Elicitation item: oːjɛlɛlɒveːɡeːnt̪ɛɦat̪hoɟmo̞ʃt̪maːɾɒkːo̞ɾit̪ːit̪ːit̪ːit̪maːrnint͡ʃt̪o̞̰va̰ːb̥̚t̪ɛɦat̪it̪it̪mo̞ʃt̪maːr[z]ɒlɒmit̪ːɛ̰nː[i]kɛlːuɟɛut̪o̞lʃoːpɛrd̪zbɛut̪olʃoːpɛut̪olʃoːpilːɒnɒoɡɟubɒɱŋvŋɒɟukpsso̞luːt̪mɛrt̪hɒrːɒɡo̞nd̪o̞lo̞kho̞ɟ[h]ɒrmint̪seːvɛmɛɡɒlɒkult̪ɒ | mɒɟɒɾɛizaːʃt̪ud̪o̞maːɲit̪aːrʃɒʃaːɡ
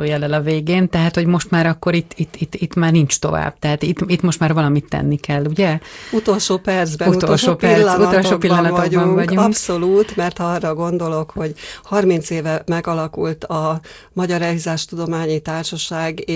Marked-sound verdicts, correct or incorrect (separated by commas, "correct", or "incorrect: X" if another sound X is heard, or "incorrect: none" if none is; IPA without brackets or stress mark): incorrect: v, correct, correct